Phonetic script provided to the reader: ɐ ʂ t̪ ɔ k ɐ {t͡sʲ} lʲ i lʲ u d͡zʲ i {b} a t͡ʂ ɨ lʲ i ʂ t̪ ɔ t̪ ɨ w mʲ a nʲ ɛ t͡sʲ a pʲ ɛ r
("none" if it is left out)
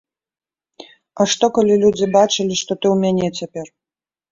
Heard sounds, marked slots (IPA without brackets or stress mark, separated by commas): none, b